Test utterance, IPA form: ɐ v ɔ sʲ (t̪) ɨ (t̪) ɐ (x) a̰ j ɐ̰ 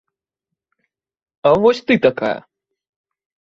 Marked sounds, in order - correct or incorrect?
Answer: correct, correct, incorrect: k

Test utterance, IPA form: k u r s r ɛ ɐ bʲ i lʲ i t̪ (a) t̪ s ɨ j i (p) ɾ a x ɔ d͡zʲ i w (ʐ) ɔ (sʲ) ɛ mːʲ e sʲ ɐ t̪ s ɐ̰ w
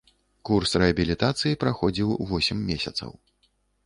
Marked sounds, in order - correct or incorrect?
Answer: correct, correct, incorrect: v, correct

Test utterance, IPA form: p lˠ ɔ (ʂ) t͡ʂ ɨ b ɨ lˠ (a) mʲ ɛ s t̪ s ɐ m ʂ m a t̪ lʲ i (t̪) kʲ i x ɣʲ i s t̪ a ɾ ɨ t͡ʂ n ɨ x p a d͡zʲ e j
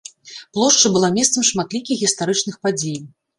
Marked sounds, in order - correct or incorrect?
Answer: correct, correct, incorrect: none

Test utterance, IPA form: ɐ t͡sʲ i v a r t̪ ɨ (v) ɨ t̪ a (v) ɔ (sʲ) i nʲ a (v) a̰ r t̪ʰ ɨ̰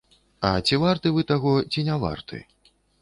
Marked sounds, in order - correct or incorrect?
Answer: correct, incorrect: ɣ, incorrect: t͡sʲ, correct

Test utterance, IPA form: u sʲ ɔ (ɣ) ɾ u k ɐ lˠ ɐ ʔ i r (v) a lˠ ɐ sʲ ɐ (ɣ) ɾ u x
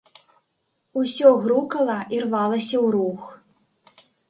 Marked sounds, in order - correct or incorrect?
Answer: correct, correct, incorrect: w

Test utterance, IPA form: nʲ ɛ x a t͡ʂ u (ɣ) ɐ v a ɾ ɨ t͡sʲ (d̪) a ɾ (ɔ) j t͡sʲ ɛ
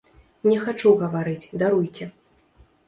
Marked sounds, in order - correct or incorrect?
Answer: correct, correct, incorrect: u

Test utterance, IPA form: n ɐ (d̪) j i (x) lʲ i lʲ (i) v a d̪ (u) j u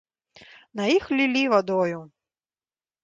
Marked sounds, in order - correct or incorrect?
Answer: incorrect: none, correct, correct, incorrect: ɔ

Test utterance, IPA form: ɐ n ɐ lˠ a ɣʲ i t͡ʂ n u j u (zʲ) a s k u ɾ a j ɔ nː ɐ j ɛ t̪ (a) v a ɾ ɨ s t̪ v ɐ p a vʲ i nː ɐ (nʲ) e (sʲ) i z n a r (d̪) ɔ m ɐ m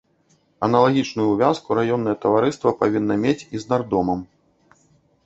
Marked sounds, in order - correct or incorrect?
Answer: incorrect: vʲ, incorrect: ɐ, incorrect: mʲ, incorrect: t͡sʲ, correct

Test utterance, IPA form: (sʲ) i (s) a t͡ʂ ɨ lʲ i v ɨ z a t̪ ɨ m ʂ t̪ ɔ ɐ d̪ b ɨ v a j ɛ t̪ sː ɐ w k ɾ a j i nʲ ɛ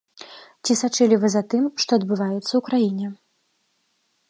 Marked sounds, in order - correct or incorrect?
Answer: incorrect: t͡sʲ, correct

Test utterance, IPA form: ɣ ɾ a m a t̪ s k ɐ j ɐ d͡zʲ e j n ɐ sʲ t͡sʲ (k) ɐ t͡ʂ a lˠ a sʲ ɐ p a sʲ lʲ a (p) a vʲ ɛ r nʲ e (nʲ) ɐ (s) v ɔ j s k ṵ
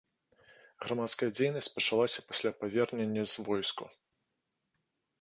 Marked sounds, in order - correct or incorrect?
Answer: incorrect: p, correct, incorrect: nʲː, incorrect: z

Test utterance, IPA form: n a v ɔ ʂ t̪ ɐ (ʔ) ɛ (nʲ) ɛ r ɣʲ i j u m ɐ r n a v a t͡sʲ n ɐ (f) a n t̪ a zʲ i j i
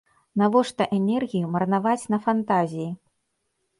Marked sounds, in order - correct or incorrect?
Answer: correct, correct, correct

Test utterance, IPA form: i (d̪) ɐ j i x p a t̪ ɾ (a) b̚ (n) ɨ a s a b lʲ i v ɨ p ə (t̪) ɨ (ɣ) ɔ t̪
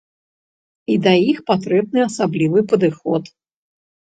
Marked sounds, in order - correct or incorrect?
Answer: correct, incorrect: ɛ, correct, incorrect: d̪, incorrect: x

